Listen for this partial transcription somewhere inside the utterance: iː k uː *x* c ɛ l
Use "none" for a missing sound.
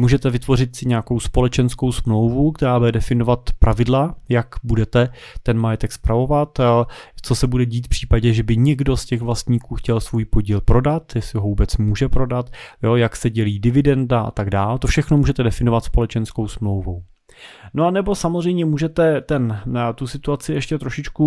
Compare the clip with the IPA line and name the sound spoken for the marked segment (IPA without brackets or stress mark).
x